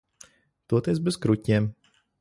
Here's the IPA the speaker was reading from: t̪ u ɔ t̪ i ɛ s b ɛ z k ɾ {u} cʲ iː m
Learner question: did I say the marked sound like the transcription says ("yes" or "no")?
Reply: yes